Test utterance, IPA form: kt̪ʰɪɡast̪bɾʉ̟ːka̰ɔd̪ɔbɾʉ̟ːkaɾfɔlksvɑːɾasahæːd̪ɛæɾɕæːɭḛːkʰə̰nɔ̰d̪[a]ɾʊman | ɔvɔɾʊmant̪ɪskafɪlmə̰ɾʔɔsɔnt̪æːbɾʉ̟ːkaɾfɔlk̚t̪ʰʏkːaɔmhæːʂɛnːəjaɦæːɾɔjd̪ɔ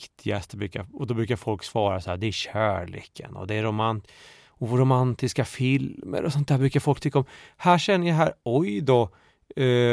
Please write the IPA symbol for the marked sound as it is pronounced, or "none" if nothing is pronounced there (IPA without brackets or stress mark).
ɛ